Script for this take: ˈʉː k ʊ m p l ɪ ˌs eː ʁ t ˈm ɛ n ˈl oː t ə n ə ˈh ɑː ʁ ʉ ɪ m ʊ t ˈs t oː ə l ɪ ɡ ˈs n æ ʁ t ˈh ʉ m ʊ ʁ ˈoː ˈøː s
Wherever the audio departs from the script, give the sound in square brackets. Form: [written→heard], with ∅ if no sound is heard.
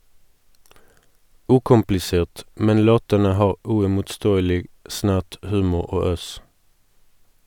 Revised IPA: ˈʉː k ʊ m p l ɪ ˌs eː ʁ t ˈm ɛ n ˈl oː t ə n ə ˈh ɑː ʁ ʉ ɪ m ʊ t ˈs t oː ə l ɪ ɡ ˈs n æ ʁ t ˈh [ʉ→ʉː] m ʊ ʁ ˈoː ˈøː s